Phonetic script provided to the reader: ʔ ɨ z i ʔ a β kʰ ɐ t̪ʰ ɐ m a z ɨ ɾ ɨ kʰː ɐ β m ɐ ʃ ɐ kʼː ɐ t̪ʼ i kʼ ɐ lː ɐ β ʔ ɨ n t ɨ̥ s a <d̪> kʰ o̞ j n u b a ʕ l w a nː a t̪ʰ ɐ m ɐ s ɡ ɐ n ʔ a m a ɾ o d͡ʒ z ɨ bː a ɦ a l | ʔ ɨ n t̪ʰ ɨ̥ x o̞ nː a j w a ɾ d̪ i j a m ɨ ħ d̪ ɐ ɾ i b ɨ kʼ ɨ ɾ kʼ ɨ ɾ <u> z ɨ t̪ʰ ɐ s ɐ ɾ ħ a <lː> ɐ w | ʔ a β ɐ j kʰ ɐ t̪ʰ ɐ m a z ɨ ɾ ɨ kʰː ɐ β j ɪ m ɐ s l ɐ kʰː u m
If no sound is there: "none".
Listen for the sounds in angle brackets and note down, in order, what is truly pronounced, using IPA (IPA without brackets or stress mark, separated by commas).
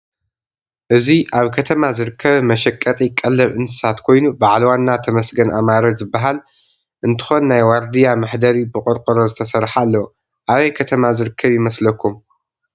t̪, o, lː